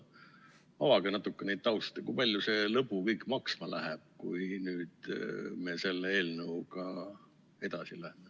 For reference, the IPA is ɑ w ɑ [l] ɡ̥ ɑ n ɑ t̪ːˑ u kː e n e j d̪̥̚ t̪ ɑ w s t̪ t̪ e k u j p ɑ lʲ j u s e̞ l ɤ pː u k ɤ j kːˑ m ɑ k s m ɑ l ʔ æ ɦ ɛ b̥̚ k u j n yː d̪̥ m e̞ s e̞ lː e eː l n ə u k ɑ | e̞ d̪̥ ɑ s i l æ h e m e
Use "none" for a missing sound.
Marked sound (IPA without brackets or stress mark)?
none